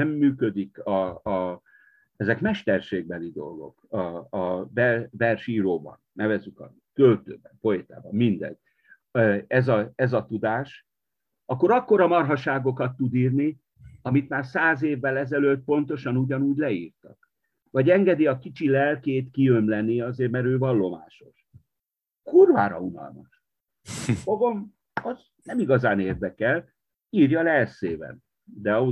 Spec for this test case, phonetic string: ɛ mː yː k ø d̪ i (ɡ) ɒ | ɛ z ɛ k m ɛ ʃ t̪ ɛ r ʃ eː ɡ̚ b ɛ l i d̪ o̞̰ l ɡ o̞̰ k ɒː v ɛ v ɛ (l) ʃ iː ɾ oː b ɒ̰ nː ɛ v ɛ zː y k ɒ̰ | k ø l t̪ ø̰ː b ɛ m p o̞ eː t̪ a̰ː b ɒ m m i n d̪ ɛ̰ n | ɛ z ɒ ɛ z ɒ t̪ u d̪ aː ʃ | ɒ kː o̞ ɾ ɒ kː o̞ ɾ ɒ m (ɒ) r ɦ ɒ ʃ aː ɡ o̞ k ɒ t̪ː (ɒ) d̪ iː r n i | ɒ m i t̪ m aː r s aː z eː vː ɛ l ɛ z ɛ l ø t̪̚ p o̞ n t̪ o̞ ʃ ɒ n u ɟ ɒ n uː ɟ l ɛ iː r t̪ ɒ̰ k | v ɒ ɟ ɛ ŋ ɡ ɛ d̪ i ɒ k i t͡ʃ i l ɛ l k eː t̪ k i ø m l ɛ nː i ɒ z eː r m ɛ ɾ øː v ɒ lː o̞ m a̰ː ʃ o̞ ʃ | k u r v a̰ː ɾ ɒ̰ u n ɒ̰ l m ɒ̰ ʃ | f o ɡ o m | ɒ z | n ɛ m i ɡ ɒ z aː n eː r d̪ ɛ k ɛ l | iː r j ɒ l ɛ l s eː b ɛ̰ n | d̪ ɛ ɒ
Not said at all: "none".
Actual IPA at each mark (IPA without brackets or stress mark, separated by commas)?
k, r, ɒ, u